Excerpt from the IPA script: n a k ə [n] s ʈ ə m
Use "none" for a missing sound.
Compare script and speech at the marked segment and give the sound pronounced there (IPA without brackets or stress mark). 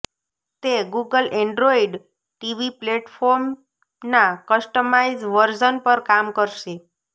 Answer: none